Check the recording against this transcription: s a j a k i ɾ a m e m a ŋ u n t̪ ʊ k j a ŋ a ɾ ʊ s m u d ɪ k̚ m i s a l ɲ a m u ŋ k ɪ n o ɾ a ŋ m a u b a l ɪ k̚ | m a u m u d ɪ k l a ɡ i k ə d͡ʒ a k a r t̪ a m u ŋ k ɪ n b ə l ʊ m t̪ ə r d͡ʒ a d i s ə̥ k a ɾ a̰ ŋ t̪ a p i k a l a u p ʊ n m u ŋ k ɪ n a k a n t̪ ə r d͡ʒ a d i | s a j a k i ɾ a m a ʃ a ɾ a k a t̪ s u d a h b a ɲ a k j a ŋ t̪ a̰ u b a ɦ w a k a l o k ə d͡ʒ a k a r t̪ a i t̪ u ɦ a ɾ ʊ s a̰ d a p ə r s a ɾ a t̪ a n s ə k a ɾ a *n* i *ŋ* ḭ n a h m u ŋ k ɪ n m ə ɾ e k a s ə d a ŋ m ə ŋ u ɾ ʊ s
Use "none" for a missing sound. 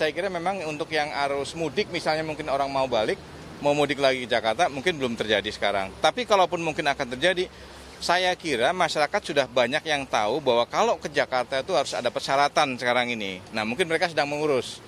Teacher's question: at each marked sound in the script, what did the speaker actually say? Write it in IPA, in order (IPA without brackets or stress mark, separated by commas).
ŋ, n